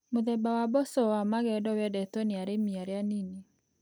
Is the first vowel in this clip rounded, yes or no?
yes